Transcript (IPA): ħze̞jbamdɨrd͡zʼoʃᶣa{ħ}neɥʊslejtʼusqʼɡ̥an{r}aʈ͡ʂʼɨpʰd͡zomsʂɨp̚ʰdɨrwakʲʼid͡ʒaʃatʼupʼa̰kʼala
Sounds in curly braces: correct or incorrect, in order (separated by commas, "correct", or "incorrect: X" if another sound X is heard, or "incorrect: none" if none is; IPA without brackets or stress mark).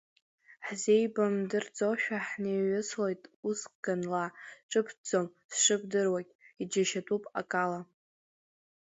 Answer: correct, incorrect: l